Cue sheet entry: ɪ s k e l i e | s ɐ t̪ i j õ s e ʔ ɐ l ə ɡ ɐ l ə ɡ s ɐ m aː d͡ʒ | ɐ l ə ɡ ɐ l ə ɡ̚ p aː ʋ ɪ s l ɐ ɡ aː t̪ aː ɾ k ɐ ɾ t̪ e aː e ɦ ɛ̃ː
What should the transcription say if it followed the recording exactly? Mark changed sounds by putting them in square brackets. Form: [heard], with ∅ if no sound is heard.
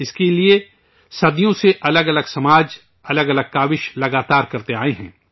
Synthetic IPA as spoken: ɪ s k e l i e | s ɐ [d̪] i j õ s e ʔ ɐ l ə ɡ ɐ l ə ɡ s ɐ m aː d͡ʒ | ɐ l ə ɡ ɐ l ə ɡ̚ [k] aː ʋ ɪ [ʃ] l ɐ ɡ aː t̪ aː ɾ k ɐ ɾ t̪ e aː e ɦ ɛ̃ː